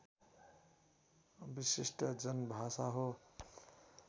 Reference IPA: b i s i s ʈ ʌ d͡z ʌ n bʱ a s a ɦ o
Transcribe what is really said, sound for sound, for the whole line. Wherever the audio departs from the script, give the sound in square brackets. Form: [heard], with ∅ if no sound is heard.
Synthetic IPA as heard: b i s i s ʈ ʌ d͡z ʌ n bʱ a s a ɦ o